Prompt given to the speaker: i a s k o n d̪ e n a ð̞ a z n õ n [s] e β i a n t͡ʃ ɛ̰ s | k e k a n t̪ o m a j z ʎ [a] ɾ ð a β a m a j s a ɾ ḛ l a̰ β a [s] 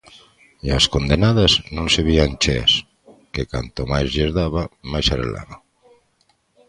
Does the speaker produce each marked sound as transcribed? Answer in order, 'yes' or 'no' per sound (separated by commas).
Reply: yes, no, no